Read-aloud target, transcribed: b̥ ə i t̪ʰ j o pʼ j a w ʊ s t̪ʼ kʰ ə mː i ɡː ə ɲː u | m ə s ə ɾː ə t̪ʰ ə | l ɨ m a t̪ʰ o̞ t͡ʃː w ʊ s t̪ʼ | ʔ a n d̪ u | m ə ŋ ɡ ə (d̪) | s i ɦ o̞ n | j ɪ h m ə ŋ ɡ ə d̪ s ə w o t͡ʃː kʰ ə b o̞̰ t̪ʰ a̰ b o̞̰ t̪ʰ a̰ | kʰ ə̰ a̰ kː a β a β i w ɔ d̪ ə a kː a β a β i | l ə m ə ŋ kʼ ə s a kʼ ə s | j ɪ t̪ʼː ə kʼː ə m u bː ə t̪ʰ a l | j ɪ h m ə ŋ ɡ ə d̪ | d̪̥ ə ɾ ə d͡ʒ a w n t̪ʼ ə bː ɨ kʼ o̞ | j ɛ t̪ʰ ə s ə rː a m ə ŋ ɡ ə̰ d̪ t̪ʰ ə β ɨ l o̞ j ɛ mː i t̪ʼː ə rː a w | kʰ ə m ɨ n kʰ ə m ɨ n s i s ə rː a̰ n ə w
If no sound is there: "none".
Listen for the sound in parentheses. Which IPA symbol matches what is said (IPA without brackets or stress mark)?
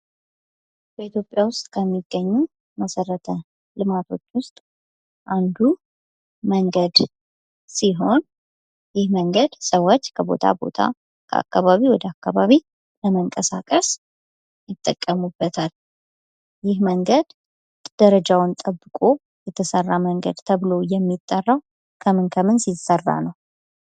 d̪